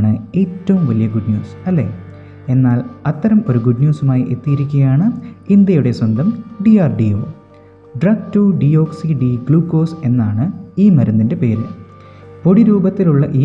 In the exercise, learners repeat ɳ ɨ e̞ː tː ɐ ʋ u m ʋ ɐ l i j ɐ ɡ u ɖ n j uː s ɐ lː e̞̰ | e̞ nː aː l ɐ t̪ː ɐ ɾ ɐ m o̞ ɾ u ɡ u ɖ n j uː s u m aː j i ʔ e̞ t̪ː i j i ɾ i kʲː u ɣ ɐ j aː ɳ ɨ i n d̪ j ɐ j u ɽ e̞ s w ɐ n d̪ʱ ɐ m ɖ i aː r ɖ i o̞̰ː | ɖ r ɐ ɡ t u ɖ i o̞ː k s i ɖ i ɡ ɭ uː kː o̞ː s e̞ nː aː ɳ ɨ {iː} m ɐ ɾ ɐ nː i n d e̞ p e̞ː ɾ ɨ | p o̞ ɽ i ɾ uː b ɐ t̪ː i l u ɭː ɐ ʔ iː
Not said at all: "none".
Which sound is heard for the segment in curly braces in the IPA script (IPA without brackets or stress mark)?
iː